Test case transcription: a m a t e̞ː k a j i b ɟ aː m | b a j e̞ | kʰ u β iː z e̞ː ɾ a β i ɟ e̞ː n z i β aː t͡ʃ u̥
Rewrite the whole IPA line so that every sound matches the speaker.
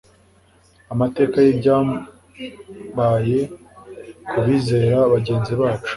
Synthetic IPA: a m a t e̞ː k a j i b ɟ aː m | b a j e̞ | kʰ u β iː z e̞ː ɾ a β a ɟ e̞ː n z i β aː t͡ʃ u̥